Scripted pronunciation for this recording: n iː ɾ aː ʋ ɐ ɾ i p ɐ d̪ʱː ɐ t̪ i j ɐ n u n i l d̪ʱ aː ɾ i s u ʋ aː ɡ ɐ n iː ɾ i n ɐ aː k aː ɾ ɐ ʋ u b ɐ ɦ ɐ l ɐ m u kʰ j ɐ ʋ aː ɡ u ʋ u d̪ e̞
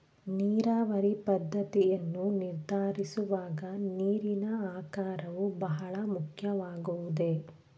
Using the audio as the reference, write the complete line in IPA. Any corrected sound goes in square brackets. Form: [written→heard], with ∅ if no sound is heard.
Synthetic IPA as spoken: n iː ɾ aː ʋ ɐ ɾ i p ɐ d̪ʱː ɐ t̪ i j ɐ [n→nː] u n i [l→ɾ] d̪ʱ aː ɾ i s u ʋ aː ɡ ɐ n iː ɾ i n ɐ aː k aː ɾ ɐ ʋ u b ɐ ɦ ɐ [l→ɭ] ɐ m u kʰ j ɐ ʋ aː ɡ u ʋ u d̪ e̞